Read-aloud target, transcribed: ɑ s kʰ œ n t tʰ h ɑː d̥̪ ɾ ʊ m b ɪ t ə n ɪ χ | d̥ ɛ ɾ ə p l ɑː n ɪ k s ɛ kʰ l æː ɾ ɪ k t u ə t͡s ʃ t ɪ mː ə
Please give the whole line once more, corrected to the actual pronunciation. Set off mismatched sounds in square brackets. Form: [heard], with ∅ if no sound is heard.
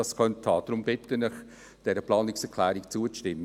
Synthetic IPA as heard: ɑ s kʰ œ n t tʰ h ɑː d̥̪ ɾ ʊ m b ɪ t ə n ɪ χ | d̥ ɛ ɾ ə p l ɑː n ɪ k s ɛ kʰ l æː ɾ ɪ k [t͡s] u ə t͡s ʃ t ɪ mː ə